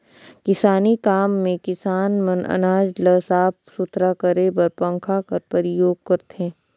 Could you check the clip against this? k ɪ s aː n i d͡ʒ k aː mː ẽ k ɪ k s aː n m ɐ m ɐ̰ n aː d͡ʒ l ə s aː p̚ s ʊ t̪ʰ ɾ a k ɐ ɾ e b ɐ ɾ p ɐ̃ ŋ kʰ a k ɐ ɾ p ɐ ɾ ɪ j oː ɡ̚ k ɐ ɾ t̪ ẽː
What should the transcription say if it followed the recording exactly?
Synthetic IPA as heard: k ɪ s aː n i k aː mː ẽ k ɪ s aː n m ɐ n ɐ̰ n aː d͡ʒ l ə s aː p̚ s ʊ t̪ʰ ɾ a k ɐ ɾ e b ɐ ɾ p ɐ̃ ŋ kʰ a k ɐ ɾ p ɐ ɾ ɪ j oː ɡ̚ k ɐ ɾ t̪ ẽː